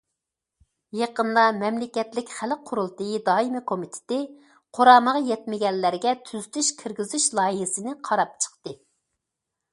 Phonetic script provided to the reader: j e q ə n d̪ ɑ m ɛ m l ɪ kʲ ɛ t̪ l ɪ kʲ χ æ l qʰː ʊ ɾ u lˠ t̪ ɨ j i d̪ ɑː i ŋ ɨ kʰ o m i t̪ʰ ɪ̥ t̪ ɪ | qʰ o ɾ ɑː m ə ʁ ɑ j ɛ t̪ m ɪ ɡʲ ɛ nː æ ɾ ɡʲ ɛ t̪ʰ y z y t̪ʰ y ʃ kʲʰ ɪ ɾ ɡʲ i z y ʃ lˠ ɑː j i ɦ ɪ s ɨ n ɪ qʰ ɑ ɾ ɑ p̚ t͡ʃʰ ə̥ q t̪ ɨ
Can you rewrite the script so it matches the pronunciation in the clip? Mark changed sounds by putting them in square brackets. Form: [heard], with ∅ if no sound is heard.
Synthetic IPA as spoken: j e q ə n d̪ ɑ m ɛ m l ɪ kʲ ɛ t̪ l ɪ kʲ χ æ l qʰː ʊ ɾ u lˠ t̪ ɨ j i d̪ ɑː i [m] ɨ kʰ o m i t̪ʰ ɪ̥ t̪ ɪ | qʰ o ɾ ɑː m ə ʁ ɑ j ɛ t̪ m ɪ ɡʲ ɛ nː æ ɾ ɡʲ ɛ t̪ʰ y z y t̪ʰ y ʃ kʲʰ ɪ ɾ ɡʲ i z y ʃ lˠ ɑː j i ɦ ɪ s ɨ n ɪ qʰ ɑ ɾ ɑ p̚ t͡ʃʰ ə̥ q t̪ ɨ

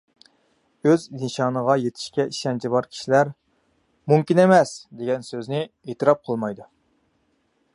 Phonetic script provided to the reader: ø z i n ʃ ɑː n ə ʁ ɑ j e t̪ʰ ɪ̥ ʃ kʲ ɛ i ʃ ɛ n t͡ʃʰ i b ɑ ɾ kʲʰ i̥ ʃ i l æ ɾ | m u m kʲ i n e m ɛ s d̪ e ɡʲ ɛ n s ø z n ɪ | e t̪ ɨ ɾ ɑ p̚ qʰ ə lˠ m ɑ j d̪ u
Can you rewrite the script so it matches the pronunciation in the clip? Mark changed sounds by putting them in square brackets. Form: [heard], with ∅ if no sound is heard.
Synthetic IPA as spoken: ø z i n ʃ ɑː n ə ʁ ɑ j e t̪ʰ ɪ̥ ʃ kʲ ɛ i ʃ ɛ n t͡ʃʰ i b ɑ ɾ kʲʰ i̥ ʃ i l æ ɾ | m u m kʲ i n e m ɛ s d̪ e ɡʲ ɛ n s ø z n ɪ | e t̪ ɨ ɾ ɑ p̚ qʰ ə lˠ m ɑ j d̪ u

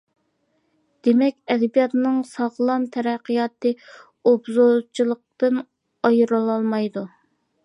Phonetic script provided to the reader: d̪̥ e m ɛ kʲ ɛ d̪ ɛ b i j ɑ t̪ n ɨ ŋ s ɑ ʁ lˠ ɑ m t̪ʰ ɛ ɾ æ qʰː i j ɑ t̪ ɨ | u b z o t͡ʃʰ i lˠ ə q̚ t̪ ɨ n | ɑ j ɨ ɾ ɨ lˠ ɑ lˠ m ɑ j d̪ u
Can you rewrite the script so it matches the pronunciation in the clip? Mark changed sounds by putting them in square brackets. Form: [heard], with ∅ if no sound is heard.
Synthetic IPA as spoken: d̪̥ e m ɛ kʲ ɛ d̪ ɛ b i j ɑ t̪ n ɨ ŋ s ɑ ʁ lˠ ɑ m t̪ʰ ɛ ɾ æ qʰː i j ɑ t̪ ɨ | [o] b z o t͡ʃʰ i lˠ ə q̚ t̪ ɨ n | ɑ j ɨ ɾ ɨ lˠ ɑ lˠ m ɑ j d̪ u

